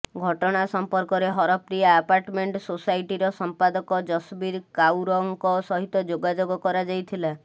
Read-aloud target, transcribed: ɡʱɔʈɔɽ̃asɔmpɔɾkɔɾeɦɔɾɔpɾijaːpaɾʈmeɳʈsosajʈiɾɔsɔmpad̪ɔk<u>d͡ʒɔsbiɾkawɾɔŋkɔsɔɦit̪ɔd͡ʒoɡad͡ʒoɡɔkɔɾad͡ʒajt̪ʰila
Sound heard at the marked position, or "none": ɔ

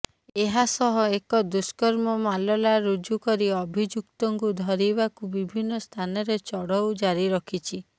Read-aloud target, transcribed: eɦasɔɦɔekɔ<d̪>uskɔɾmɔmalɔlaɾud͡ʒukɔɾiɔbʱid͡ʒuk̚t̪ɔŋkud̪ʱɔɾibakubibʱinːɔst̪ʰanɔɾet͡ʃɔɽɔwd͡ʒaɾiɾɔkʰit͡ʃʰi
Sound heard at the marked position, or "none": d̪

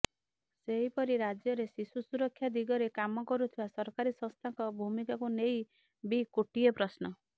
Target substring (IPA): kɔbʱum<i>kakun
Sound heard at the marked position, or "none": i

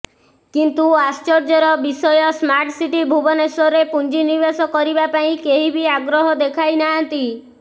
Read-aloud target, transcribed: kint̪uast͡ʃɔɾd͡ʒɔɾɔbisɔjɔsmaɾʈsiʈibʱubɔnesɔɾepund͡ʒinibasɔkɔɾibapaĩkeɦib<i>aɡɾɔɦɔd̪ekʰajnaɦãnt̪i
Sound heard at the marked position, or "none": i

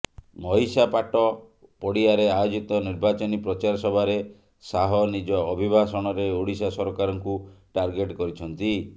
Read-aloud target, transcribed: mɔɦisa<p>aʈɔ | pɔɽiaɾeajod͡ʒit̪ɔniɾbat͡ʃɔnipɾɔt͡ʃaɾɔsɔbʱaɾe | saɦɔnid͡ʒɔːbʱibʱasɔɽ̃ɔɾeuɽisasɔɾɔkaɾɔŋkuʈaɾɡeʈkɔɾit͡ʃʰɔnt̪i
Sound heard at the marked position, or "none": p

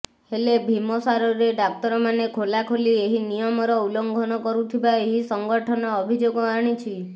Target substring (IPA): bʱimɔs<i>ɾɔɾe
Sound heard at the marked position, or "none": a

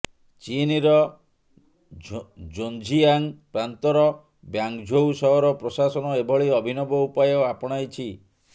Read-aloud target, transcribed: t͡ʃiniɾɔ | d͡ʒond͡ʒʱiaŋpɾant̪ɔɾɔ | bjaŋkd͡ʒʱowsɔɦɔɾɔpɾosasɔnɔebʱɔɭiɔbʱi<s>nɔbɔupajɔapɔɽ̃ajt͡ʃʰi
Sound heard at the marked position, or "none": none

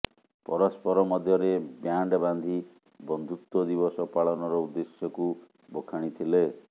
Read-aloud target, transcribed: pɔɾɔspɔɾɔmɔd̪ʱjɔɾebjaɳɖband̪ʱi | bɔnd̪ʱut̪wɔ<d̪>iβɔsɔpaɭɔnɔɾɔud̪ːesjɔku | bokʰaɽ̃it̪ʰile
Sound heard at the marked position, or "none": d̪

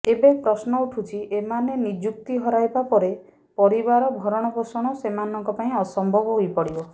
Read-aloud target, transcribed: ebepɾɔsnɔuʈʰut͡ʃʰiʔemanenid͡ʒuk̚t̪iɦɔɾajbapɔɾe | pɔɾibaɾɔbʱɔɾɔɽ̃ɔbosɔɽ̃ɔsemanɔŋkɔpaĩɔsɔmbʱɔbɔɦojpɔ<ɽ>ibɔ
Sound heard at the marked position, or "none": ɽ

